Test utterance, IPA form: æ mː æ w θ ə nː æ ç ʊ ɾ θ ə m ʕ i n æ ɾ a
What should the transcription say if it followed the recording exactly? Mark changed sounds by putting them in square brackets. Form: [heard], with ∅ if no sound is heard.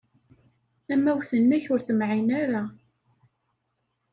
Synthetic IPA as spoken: æ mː æ w θ ə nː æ ç ʊ ɾ θ ə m ʕ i n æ ɾ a